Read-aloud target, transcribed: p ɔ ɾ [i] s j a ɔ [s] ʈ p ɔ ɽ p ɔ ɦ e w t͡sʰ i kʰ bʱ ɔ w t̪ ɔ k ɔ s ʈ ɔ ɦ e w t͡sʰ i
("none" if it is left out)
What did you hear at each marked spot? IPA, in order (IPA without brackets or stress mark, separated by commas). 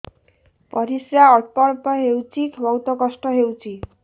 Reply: i, none